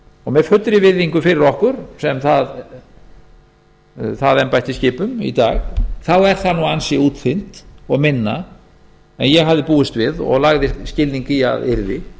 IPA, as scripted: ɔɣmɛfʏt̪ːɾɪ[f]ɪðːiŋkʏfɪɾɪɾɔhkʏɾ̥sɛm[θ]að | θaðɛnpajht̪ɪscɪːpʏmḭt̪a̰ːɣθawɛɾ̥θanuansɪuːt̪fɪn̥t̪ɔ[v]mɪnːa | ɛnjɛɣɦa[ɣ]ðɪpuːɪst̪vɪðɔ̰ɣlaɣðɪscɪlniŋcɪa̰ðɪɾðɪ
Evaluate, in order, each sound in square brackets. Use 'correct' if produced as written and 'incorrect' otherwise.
incorrect, correct, incorrect, incorrect

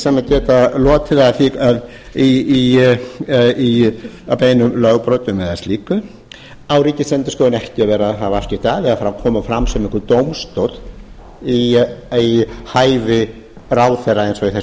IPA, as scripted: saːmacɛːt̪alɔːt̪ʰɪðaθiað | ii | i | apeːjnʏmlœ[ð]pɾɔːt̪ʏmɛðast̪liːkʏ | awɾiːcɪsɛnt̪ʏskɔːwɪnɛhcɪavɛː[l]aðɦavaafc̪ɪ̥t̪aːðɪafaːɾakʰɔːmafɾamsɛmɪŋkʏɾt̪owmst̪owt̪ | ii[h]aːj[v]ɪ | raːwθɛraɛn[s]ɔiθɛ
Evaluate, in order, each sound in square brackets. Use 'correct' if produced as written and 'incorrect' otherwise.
incorrect, incorrect, correct, correct, correct

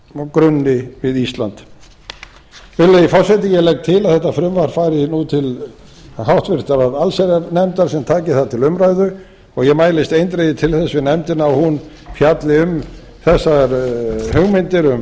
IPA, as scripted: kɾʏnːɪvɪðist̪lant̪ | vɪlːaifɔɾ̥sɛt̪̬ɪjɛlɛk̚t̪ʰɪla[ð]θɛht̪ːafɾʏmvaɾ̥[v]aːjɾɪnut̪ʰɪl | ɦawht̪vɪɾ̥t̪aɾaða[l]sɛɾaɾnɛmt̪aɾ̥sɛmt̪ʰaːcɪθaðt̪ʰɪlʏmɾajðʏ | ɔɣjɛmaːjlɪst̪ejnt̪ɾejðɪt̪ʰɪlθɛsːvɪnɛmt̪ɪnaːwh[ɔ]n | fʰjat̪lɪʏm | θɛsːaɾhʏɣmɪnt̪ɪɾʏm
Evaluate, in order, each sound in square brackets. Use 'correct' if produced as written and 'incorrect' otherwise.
correct, incorrect, correct, incorrect

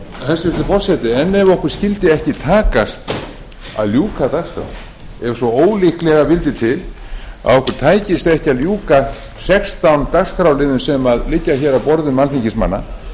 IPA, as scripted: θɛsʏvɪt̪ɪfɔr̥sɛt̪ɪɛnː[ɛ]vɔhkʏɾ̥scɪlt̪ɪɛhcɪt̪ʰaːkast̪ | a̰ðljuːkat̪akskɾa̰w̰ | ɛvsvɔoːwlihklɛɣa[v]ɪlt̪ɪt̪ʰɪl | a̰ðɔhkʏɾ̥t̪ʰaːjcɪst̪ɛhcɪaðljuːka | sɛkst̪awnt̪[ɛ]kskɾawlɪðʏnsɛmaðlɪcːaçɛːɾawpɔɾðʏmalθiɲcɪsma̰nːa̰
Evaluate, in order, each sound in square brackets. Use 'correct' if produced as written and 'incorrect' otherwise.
correct, correct, incorrect

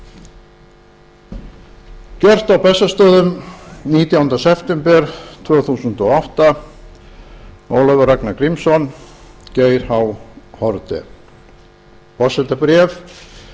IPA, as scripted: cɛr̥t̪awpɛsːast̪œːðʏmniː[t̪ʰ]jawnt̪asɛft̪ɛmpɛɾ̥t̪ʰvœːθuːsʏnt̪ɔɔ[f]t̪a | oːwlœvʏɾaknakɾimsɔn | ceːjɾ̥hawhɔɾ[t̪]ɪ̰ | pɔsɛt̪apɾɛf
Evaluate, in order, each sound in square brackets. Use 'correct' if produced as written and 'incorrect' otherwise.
incorrect, incorrect, correct

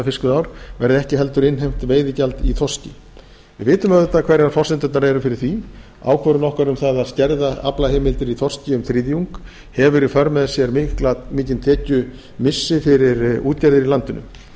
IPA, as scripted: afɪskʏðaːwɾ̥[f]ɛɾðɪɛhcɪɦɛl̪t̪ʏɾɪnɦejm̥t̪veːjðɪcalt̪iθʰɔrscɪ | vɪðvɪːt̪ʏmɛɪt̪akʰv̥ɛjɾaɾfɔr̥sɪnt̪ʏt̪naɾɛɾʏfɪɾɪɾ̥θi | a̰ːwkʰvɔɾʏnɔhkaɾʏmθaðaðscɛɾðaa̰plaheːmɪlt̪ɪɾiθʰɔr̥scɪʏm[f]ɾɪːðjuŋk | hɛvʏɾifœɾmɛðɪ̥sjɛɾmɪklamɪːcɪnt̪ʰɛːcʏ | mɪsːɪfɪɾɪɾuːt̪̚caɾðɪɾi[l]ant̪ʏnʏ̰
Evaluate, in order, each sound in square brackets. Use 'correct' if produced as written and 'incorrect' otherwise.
incorrect, incorrect, correct

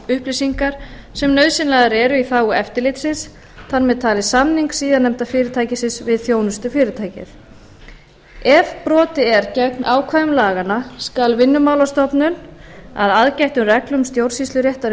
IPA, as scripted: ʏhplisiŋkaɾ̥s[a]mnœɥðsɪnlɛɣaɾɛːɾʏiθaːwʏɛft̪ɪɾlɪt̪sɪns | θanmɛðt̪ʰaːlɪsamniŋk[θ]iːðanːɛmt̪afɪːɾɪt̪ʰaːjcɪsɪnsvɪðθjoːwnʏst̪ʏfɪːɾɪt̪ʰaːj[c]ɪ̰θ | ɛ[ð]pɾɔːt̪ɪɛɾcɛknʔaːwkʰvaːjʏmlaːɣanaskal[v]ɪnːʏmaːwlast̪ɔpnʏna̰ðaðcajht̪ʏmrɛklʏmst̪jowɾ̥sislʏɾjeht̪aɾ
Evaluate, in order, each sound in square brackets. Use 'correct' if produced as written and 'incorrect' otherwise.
incorrect, incorrect, correct, incorrect, correct

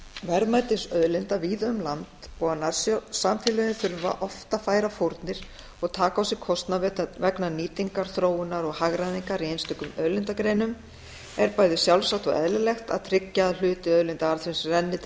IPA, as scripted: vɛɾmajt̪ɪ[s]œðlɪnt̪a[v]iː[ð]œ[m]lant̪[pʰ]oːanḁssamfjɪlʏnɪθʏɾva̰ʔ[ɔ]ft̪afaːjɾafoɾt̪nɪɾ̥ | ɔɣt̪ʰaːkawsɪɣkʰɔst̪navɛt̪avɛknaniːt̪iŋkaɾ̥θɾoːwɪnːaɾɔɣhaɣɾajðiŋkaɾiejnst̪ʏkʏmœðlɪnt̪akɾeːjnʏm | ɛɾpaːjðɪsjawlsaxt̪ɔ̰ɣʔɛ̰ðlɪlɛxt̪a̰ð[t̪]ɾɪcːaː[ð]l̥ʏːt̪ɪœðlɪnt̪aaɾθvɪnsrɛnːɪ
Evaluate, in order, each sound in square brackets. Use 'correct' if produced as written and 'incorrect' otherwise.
correct, correct, correct, correct, incorrect, correct, incorrect, correct

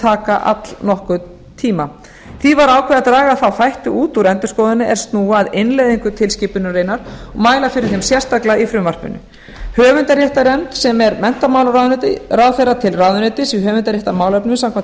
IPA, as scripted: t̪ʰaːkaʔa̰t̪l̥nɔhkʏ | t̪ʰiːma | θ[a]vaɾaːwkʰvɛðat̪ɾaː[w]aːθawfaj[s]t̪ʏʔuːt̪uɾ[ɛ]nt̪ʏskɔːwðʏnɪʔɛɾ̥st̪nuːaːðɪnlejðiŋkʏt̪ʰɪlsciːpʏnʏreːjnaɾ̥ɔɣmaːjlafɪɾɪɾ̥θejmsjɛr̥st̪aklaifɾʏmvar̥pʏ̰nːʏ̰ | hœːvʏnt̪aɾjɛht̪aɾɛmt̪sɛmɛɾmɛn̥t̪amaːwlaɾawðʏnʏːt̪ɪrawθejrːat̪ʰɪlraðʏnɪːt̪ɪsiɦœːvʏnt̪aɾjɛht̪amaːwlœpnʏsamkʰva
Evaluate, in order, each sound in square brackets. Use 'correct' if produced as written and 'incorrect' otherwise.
incorrect, incorrect, incorrect, correct

